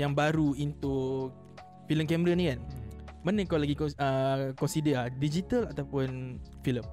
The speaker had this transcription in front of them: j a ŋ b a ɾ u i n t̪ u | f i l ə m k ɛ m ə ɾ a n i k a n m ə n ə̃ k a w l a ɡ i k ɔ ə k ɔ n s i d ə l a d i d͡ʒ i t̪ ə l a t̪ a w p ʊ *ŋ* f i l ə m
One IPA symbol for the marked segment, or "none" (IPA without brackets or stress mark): n